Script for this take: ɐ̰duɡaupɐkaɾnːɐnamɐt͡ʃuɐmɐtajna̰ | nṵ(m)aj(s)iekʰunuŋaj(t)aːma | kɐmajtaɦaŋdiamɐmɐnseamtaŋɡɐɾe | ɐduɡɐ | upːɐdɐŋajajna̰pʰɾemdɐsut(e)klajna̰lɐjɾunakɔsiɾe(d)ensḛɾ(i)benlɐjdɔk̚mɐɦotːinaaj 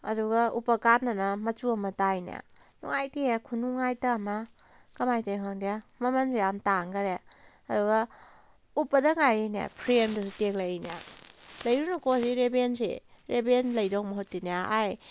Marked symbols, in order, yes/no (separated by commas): no, no, yes, yes, no, no